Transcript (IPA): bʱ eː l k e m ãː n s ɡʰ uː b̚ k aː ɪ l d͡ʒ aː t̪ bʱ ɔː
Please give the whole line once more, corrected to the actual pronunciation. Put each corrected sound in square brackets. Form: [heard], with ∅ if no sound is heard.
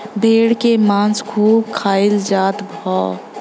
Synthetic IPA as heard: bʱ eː [ɽ] k e m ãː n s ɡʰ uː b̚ [kʰ] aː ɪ l d͡ʒ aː t̪ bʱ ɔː